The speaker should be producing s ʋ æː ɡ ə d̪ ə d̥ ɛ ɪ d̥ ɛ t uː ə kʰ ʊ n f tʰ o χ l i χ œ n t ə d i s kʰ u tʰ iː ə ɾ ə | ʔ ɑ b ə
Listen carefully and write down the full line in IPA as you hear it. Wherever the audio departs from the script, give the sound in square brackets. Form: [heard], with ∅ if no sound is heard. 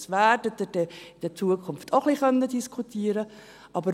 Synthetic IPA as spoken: s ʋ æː [d] ə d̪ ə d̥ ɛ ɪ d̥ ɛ [t͡s] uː ə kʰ ʊ n f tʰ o χ l i χ œ n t ə d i s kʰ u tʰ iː ə ɾ ə | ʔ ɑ b ə

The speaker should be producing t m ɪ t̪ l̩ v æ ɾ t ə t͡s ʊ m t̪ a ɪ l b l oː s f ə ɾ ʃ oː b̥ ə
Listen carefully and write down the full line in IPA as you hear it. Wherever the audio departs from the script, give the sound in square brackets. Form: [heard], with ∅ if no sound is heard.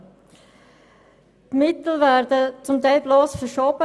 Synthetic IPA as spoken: t m ɪ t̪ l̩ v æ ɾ [d] ə t͡s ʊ m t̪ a ɪ l b l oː s f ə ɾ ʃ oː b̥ ə

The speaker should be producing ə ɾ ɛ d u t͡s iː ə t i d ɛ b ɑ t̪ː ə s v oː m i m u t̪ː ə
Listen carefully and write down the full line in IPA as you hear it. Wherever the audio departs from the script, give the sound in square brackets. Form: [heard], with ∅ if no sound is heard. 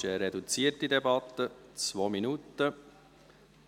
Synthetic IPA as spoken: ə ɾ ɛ d u t͡s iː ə t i d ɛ b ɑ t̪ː ə [t͡s] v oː m i [n] u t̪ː ə

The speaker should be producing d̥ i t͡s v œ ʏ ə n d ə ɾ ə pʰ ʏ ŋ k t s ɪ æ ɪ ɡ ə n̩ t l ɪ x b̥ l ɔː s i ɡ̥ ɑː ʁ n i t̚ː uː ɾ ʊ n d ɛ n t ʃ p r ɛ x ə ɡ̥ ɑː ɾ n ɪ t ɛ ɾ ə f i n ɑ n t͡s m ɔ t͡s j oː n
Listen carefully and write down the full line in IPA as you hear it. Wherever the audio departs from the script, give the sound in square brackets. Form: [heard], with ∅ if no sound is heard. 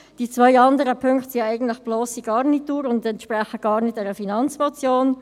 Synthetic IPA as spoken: d̥ i t͡s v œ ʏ [ɑ] n d ə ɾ ə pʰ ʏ ŋ k t s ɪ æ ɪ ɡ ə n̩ t l ɪ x b̥ l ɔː s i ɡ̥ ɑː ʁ n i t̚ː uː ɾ ʊ n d ɛ n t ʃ p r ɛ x ə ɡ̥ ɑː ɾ n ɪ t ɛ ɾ ə f i n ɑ n t͡s m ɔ t͡s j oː n

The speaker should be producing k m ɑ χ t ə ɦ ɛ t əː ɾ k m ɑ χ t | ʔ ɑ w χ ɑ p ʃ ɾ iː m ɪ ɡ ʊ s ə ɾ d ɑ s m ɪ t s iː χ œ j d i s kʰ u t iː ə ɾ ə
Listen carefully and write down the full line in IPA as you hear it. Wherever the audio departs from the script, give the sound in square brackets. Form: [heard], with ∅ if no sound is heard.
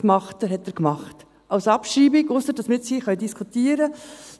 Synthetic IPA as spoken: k m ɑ χ t ə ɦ ɛ t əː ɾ k m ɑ χ t | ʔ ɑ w [s] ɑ p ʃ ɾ iː [b] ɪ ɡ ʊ s ə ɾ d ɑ s m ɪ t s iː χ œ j d i s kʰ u t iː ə ɾ ə

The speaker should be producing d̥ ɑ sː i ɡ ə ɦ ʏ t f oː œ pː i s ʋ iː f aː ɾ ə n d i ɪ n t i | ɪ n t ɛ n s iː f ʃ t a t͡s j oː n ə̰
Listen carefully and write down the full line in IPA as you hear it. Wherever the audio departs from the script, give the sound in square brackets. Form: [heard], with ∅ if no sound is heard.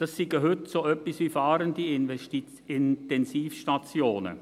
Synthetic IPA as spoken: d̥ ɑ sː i ɡ ə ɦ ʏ t [s] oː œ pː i s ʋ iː f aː ɾ ə n d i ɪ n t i | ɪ n t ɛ n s iː f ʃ t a t͡s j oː n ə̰

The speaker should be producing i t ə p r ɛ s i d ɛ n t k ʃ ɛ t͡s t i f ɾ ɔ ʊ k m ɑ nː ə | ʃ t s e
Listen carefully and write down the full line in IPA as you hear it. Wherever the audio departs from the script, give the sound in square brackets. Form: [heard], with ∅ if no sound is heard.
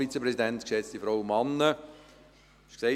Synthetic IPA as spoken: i [t͡s] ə p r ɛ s i d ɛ n t k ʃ ɛ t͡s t i f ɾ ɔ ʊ [∅] m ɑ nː ə | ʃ [k] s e

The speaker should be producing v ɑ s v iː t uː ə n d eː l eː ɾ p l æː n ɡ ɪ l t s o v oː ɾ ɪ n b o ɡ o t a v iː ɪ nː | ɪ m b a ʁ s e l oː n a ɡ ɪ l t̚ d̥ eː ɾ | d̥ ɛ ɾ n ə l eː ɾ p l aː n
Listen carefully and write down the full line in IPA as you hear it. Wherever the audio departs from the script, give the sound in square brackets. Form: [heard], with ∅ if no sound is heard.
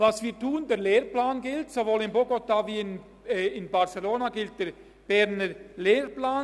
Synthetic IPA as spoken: v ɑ s v iː t uː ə n d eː l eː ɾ p l [aː] n ɡ ɪ l t s o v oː [l] ɪ n b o ɡ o t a v iː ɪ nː | ɪ [n] b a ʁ s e l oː n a ɡ ɪ l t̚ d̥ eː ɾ | [b̥] ɛ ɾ n ə l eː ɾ p l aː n

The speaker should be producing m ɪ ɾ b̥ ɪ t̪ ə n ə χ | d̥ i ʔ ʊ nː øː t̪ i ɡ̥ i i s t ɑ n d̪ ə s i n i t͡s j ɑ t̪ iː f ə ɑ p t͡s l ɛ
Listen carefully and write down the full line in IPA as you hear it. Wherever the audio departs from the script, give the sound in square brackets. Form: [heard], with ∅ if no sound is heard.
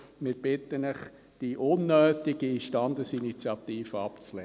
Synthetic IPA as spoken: m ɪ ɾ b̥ ɪ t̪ ə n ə χ | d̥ i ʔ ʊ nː øː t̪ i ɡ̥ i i [ʃ] t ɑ n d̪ ə s i n i t͡s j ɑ t̪ iː f ə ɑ p t͡s l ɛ

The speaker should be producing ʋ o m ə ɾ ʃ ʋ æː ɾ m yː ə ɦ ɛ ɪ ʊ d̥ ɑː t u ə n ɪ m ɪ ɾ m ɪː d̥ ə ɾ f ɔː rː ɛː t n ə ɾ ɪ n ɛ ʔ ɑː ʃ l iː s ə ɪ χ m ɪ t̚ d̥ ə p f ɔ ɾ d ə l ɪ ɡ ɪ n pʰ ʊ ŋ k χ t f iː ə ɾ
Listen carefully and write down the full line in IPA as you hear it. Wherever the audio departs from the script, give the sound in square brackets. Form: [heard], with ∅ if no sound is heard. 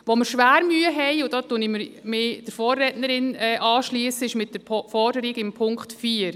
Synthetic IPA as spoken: ʋ o m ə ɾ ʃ ʋ æː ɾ m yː ə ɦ ɛ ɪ ʊ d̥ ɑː t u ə n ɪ m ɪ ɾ m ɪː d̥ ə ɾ f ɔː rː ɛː t n ə ɾ ɪ n ɛ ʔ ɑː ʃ l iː s ə ɪ [ʃ] m ɪ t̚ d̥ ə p f ɔ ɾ d ə [ɾ] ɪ ɡ ɪ [m] pʰ ʊ ŋ k χ t f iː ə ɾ

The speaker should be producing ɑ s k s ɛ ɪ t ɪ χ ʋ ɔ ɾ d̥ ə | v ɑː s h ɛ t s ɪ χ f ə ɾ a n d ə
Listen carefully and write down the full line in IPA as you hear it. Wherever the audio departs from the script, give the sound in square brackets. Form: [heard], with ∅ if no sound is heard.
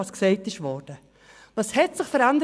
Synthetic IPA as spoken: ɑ s k s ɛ ɪ t ɪ [ʃ] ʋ ɔ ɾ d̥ ə | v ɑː s h ɛ t s ɪ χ f ə ɾ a n d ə

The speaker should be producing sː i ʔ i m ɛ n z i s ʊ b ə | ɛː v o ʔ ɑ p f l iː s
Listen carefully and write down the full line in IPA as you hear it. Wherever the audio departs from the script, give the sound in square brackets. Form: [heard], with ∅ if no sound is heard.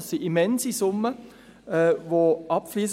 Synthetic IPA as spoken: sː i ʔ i m ɛ n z i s ʊ [m] ə | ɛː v o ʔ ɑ p f l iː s

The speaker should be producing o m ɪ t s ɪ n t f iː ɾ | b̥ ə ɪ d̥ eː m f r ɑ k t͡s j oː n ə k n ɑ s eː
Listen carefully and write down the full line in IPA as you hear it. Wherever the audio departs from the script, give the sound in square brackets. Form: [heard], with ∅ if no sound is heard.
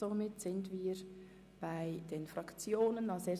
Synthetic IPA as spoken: o m ɪ t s ɪ n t [v] iː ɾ | b̥ [a] ɪ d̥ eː [n] f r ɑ k t͡s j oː n ə [∅] n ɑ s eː

